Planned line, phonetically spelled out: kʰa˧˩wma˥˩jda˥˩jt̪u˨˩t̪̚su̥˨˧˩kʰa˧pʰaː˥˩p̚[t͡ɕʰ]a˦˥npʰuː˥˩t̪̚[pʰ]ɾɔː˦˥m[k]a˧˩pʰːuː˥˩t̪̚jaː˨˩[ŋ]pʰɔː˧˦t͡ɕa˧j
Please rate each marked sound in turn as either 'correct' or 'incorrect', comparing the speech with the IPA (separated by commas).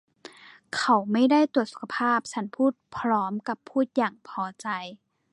correct, correct, correct, correct